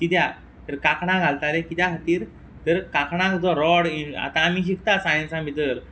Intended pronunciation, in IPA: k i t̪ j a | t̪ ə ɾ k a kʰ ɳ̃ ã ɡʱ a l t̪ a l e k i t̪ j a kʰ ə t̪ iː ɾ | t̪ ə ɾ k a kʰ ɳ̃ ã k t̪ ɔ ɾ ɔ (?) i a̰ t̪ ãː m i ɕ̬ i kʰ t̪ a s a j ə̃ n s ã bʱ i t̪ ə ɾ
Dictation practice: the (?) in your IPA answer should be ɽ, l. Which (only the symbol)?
ɽ